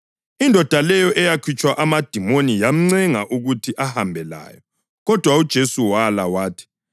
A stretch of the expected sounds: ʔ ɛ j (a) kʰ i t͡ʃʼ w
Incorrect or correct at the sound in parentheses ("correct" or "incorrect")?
correct